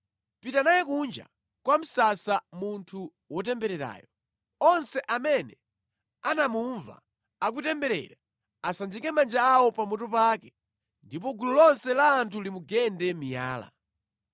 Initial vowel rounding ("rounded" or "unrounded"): unrounded